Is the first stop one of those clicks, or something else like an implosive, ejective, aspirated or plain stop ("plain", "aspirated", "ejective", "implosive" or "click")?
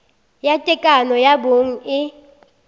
ejective